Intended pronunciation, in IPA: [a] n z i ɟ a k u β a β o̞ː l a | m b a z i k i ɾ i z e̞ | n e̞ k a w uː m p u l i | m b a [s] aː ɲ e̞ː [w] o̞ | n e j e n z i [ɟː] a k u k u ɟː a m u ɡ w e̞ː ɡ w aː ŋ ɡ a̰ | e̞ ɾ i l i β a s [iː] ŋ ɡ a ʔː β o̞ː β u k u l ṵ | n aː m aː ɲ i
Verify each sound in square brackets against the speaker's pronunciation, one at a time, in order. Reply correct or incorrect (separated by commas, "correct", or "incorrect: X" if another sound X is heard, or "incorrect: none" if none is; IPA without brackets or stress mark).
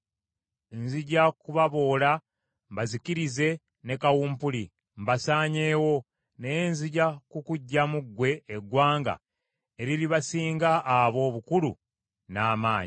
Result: incorrect: e, correct, correct, incorrect: ɟ, correct